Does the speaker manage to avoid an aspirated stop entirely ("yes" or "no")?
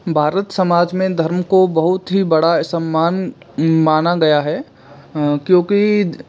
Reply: yes